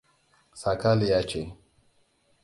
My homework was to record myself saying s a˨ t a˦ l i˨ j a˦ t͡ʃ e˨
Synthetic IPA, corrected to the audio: s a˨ k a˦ l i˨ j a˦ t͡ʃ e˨